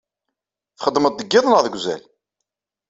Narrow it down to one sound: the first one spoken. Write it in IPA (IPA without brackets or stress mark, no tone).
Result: θ